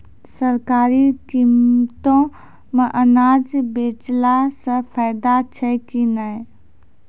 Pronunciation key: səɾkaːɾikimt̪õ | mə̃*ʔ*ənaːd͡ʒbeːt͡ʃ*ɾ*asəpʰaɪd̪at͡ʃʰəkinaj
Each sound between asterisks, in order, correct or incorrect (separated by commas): correct, incorrect